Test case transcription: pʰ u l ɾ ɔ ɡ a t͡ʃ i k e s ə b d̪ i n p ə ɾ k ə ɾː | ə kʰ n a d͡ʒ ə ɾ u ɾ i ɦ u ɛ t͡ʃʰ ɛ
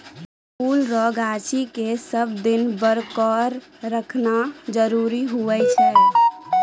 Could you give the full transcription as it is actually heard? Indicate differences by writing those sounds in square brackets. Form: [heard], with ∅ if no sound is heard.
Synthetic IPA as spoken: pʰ u l ɾ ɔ ɡ a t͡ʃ i k e s ə b d̪ i n [b] ə ɾ k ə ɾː | ə kʰ n a d͡ʒ ə ɾ u ɾ i ɦ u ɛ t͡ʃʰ ɛ